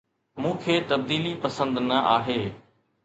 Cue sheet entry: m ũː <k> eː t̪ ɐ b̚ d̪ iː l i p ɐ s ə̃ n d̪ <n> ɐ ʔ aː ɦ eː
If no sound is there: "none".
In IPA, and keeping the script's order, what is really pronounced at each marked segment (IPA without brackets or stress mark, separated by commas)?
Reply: kʰ, n